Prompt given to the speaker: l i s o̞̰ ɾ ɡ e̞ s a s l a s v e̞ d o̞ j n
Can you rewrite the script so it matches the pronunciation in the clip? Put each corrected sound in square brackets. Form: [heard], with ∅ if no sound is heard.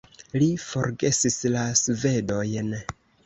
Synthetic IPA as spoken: l i [f] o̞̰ ɾ ɡ e̞ s [i] s l a s v e̞ d o̞ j n